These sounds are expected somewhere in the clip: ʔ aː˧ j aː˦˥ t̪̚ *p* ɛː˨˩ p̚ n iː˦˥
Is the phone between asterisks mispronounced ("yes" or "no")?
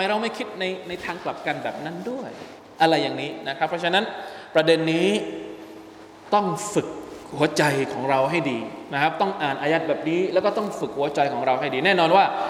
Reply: yes